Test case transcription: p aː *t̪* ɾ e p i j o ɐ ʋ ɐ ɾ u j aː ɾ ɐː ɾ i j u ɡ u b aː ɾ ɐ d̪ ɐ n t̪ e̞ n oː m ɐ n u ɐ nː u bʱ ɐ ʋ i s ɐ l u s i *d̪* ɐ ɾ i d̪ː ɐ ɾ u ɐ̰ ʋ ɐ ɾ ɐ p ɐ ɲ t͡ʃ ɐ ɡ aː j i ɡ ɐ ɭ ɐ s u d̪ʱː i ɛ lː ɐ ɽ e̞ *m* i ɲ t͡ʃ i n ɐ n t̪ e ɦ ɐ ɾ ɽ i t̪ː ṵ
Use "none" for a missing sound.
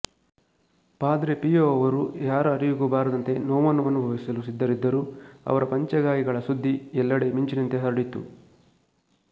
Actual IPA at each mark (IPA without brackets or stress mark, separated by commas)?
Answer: d̪, d̪ː, m